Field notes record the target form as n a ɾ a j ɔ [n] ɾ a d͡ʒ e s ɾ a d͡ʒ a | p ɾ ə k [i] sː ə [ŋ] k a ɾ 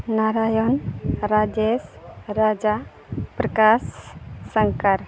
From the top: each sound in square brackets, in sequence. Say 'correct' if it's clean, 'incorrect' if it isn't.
correct, incorrect: a, correct

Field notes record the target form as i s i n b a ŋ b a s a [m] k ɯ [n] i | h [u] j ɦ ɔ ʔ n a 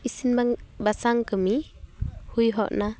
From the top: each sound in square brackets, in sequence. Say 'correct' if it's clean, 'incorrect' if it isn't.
incorrect: ŋ, incorrect: m, correct

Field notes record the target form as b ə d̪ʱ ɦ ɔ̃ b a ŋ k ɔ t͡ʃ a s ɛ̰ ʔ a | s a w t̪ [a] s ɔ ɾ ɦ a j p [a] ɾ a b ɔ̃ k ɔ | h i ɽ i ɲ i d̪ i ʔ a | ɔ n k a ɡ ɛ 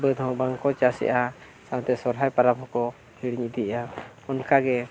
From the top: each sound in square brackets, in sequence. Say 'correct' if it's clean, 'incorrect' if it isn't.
incorrect: ɛ, correct

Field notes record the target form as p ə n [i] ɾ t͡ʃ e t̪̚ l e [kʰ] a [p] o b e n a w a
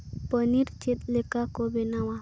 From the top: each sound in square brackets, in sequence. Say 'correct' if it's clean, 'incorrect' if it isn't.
correct, incorrect: k, incorrect: k

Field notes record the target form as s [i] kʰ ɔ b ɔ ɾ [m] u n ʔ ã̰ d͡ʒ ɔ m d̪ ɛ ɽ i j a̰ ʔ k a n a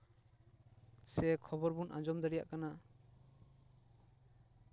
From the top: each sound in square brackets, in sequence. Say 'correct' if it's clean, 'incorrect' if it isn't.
incorrect: ɛ, incorrect: b

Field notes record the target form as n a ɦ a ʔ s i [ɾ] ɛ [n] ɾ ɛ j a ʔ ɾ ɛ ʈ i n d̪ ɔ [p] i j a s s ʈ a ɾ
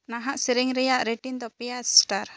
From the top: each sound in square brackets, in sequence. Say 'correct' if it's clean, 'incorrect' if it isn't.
correct, incorrect: ŋ, correct

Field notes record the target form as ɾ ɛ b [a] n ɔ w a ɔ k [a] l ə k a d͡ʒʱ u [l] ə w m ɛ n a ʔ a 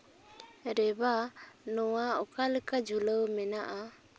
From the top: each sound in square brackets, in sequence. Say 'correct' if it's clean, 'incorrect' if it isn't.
correct, correct, correct

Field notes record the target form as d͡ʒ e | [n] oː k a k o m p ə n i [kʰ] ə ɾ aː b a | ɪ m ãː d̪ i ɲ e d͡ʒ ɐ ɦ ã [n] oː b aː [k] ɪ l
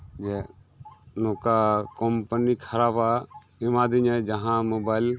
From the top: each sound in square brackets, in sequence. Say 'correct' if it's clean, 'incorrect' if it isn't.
correct, correct, incorrect: m, incorrect: none

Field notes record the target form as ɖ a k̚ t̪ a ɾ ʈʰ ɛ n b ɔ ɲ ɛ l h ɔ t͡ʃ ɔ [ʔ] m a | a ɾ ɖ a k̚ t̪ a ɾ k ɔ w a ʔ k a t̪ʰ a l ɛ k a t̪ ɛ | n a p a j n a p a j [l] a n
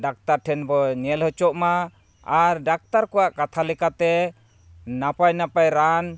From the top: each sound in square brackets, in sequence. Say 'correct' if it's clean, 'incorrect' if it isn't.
correct, incorrect: ɾ

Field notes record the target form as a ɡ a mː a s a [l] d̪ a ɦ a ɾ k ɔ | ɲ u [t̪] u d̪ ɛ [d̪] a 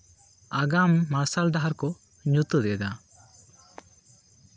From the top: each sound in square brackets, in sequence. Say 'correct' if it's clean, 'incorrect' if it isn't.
correct, correct, correct

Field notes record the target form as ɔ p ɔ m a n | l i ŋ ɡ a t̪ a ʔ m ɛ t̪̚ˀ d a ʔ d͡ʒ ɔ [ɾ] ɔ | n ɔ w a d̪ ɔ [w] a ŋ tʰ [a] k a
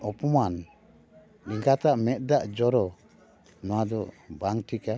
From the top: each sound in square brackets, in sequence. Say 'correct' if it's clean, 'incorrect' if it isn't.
correct, incorrect: b, incorrect: i

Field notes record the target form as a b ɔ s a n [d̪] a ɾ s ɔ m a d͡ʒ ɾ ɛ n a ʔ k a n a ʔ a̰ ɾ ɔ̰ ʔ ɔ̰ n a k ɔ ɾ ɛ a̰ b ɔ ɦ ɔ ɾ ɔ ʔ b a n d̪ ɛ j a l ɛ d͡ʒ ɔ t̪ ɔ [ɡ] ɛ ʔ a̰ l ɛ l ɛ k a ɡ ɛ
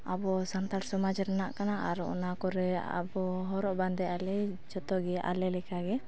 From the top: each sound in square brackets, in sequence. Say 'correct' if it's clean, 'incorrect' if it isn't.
incorrect: t̪, correct

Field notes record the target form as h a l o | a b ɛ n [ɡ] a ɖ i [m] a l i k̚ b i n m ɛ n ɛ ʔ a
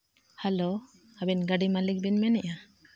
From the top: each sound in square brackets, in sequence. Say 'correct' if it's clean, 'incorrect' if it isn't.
correct, correct

